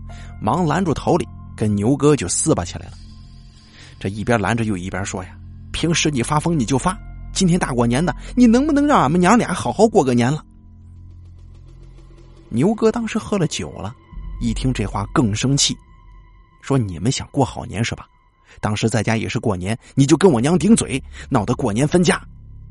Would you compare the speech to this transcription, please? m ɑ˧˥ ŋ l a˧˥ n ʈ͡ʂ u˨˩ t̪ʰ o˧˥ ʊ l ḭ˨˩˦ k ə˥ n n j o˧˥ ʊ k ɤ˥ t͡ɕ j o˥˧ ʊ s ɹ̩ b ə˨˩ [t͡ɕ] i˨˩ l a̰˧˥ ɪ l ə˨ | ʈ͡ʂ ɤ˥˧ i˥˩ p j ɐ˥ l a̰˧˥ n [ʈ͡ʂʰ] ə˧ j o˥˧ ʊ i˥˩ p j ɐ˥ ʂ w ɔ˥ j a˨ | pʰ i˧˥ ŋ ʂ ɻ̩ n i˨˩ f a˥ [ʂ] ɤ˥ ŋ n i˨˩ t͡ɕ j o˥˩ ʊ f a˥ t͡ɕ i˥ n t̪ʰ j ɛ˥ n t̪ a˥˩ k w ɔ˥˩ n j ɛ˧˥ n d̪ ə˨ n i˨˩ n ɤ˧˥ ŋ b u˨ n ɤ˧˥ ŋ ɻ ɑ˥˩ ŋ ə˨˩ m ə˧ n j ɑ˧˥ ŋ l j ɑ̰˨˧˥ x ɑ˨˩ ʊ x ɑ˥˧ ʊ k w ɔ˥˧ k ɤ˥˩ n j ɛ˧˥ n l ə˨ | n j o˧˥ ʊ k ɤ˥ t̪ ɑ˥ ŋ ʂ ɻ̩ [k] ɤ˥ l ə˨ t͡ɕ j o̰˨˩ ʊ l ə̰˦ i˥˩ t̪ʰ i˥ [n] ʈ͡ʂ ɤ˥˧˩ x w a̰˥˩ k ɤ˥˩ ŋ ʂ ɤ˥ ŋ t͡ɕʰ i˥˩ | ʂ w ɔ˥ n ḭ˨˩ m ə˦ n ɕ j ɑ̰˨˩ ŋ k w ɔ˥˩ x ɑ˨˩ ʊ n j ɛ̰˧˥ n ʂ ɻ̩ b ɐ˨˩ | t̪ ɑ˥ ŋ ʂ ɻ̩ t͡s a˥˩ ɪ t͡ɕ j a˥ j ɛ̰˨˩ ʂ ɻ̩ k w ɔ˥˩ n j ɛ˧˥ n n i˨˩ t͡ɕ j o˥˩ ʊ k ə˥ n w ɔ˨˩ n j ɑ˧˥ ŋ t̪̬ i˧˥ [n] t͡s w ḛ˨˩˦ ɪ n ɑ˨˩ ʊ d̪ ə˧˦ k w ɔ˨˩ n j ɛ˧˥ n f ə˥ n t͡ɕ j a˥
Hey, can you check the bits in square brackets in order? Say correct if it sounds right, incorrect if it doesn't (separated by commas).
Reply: incorrect, incorrect, incorrect, incorrect, incorrect, incorrect